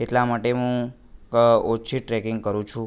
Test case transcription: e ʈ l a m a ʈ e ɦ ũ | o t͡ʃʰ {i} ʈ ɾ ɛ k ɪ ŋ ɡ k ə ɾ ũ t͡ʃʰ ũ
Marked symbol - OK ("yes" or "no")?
yes